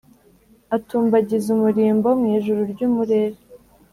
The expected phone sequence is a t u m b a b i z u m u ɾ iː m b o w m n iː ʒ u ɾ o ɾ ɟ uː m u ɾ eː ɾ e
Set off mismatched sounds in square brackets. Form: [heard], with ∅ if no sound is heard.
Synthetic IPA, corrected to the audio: a t [uː] m b a [ɟ] i z u m u ɾ iː m b o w m [ŋ] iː ʒ u ɾ [u] ɾ ɟ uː m u ɾ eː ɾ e